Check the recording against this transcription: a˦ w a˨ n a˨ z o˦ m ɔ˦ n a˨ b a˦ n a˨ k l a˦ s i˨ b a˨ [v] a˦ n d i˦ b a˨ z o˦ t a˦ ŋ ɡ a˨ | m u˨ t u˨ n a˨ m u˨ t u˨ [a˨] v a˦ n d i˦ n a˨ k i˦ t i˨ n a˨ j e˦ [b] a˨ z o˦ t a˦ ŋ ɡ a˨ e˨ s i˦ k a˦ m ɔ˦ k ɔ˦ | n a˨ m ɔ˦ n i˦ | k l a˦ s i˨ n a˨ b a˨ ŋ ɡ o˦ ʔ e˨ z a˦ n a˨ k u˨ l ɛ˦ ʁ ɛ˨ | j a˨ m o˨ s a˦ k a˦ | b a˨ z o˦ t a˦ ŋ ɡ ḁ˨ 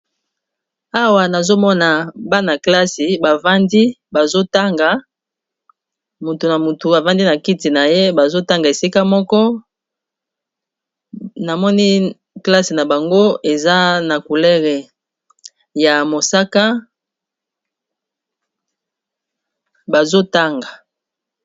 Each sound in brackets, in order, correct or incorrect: correct, correct, correct

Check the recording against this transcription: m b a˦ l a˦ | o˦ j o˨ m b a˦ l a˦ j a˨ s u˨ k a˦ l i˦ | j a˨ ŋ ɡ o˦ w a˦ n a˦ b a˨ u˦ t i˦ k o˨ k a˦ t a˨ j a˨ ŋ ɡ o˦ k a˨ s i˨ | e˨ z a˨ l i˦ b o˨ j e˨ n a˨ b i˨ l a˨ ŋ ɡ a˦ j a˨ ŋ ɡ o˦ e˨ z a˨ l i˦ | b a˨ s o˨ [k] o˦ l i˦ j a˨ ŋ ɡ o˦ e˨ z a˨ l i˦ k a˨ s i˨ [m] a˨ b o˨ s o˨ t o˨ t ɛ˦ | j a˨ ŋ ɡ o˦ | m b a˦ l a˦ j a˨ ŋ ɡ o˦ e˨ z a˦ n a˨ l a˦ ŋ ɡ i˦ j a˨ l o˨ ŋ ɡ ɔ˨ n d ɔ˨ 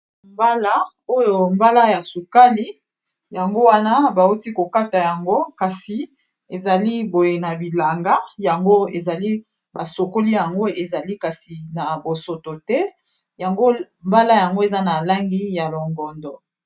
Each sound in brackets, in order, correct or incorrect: correct, incorrect

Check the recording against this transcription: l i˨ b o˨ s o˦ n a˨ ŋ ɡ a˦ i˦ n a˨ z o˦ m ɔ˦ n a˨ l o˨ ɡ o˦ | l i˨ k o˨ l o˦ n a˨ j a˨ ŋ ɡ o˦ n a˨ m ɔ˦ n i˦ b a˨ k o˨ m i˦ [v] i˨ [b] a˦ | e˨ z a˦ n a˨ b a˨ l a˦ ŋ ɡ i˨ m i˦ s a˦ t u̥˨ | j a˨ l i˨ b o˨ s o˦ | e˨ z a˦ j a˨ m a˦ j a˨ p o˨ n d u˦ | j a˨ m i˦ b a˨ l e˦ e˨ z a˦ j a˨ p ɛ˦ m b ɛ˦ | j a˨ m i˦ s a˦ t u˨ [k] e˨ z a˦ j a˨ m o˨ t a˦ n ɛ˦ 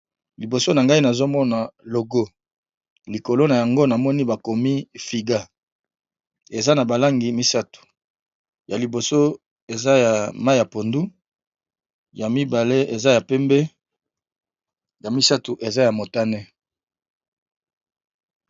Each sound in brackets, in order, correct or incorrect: incorrect, incorrect, incorrect

